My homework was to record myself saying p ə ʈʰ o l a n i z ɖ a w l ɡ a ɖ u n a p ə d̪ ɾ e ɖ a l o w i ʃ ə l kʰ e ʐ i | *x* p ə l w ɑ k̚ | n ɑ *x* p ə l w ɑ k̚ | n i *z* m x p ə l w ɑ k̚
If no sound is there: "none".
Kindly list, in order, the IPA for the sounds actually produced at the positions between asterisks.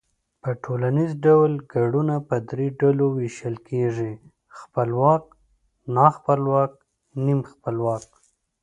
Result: x, x, none

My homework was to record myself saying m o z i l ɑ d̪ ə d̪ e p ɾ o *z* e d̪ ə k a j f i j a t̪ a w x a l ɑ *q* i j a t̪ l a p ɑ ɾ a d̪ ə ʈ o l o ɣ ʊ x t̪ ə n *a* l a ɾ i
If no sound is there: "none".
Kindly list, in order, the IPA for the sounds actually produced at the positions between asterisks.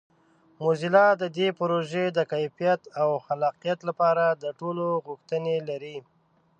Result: ʒ, q, e

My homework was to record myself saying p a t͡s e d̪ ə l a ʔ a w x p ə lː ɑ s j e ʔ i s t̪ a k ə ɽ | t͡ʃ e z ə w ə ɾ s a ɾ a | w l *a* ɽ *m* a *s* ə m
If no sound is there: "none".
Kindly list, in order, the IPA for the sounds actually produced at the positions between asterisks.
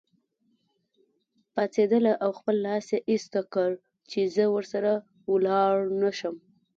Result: ɑ, n, ʃ

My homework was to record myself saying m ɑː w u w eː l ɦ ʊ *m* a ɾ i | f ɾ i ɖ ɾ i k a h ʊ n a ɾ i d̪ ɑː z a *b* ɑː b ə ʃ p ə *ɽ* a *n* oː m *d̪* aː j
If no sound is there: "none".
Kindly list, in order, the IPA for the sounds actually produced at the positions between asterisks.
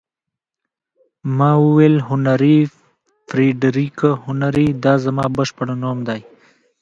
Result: n, m, ɽ, n, d̪

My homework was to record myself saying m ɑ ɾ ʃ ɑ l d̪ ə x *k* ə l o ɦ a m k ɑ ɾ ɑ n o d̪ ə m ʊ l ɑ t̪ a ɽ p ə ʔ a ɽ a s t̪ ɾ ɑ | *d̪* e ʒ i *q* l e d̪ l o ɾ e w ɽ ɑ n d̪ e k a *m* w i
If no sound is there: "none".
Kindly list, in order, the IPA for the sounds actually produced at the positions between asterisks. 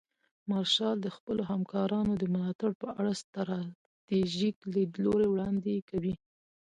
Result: p, t̪, k, none

